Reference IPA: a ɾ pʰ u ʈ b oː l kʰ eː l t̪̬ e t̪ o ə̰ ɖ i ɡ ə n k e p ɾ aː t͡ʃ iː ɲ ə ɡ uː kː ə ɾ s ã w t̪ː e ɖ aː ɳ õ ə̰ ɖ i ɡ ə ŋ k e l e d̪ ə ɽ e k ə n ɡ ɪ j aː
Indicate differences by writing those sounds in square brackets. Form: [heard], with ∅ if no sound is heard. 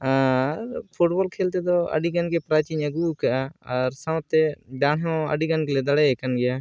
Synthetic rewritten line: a ɾ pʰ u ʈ b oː l kʰ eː l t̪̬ e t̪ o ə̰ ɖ i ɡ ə n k e p ɾ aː t͡ʃ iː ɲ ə ɡ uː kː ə ɾ s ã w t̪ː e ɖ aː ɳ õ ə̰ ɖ i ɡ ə [n] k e l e d̪ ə ɽ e k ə n ɡ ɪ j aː